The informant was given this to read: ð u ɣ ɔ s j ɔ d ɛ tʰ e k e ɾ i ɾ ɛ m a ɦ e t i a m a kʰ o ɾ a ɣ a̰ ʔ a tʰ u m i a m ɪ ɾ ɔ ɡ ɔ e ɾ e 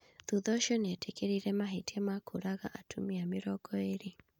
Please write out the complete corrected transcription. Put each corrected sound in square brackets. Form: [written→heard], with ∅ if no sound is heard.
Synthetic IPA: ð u [ɣ→ð] ɔ [s→ʃ] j ɔ [d→n] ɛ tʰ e k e ɾ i ɾ ɛ m a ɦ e t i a m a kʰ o ɾ a ɣ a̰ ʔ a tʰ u m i a m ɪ ɾ ɔ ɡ ɔ e ɾ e